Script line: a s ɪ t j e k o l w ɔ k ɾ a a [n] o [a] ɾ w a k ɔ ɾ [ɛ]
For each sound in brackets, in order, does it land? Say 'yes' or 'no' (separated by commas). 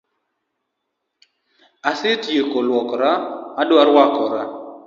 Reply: no, yes, no